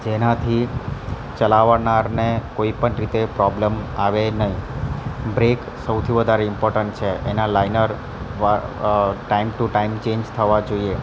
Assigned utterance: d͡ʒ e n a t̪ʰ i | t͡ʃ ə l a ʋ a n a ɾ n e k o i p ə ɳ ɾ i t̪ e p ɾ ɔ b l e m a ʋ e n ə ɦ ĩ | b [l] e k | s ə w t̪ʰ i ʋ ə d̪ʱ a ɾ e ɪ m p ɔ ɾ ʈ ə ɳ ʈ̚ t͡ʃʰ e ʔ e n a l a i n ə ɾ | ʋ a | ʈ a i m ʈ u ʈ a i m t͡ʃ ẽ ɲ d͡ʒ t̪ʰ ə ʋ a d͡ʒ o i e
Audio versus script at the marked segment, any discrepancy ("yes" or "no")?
yes